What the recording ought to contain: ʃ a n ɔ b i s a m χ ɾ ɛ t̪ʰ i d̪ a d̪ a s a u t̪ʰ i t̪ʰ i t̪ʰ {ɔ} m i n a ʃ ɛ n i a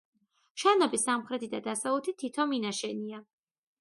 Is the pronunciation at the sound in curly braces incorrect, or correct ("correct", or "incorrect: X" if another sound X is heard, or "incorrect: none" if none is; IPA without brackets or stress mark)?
correct